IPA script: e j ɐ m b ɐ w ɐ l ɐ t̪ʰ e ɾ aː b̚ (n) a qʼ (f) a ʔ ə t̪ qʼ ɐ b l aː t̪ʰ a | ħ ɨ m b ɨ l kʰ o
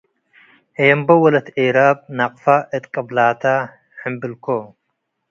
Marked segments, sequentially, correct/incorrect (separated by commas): correct, correct